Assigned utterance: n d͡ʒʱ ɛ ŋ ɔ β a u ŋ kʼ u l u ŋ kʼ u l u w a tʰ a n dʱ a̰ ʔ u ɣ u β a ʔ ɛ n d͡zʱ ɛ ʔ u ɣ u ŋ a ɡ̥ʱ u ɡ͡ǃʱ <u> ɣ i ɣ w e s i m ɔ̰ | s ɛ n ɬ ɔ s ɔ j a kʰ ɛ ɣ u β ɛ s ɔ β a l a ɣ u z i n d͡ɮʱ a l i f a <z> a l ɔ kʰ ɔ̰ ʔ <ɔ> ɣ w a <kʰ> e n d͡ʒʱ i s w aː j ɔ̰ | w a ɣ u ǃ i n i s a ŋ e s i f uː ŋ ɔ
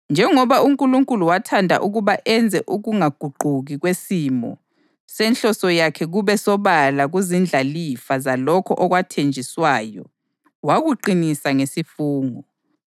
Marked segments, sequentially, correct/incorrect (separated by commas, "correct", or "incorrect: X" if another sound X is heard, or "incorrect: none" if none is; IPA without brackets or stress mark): correct, correct, correct, incorrect: tʰ